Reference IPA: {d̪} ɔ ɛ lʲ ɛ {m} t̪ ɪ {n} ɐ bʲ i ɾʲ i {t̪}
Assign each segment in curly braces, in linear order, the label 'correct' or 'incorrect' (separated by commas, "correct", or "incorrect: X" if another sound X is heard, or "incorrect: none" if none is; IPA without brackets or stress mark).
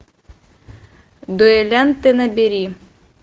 correct, incorrect: n, correct, incorrect: none